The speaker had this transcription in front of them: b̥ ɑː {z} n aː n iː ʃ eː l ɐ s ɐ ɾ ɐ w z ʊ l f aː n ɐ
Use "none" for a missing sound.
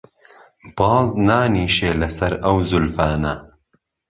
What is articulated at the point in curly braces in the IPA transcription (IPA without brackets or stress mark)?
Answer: z